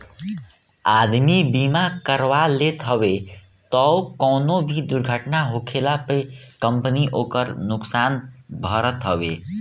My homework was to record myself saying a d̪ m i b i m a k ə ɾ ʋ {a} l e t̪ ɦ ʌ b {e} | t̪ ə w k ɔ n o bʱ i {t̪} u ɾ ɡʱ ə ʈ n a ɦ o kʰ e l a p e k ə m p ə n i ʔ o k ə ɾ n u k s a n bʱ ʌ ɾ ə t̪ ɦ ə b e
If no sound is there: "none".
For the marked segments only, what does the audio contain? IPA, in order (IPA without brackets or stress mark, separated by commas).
a, e, d̪